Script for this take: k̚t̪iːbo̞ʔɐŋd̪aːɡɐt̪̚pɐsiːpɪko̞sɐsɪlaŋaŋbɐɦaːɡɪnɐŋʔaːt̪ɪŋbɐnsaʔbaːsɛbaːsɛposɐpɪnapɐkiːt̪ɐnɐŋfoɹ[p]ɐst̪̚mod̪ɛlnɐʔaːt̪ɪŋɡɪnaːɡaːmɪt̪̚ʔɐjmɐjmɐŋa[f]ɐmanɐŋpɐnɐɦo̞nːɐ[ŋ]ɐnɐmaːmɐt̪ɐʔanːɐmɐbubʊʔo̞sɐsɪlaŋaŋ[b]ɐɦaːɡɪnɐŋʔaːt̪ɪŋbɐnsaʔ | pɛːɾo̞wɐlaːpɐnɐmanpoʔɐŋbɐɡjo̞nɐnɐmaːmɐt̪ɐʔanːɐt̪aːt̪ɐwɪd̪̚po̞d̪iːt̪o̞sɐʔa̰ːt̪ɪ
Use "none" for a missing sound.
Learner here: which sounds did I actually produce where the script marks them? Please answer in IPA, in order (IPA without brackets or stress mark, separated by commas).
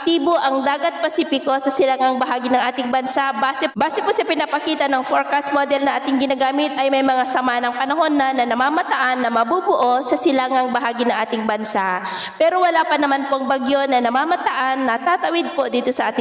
k, s, n, b